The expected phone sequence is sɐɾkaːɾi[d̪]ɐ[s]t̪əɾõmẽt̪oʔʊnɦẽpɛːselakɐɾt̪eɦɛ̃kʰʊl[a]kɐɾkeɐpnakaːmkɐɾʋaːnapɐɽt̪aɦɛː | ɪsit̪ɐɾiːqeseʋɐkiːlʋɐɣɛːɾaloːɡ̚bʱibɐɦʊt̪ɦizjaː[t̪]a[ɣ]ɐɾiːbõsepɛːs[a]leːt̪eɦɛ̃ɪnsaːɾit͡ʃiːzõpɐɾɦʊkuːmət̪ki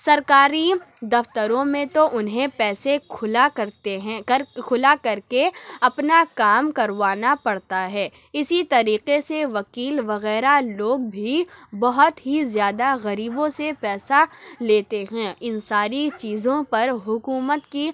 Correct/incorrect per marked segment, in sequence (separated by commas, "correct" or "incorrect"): correct, incorrect, correct, incorrect, correct, correct